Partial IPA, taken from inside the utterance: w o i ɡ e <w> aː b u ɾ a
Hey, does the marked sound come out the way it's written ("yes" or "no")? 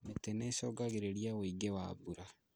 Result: yes